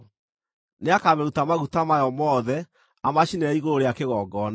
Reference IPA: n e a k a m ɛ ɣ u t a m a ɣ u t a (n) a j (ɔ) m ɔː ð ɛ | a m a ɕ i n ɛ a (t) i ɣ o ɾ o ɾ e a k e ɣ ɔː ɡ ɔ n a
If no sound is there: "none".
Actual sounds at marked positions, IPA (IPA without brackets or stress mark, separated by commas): m, ɔ, none